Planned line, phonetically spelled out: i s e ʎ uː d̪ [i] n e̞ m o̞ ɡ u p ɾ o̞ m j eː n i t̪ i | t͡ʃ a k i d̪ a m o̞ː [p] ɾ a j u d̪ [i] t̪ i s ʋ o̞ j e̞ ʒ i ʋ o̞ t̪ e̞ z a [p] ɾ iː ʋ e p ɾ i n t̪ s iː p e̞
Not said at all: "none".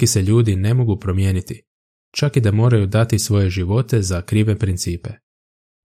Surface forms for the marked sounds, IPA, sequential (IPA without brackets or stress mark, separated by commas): i, none, a, k